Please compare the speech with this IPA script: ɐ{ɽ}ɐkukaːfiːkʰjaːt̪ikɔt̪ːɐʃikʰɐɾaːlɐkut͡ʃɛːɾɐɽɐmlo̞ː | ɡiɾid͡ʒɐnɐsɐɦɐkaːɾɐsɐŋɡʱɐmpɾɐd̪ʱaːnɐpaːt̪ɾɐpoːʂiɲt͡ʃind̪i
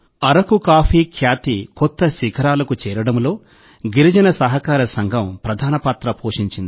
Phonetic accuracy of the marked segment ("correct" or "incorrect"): incorrect